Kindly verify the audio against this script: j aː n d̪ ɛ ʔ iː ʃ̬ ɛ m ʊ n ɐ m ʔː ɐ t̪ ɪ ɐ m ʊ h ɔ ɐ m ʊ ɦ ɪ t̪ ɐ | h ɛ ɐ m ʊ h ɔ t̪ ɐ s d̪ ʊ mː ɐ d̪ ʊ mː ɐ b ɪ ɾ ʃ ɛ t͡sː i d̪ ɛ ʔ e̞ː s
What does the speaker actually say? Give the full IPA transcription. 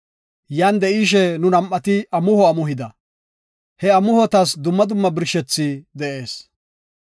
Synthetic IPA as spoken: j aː n d̪ ɛ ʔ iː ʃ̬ ɛ n ʊ n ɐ m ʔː ɐ t̪ ɪ ɐ m ʊ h ɔ ɐ m ʊ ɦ ɪ d̪ ɐ | h ɛ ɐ m ʊ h ɔ t̪ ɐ s d̪ ʊ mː ɐ d̪ ʊ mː ɐ b ɪ ɾ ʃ ɛ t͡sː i d̪ ɛ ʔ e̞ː s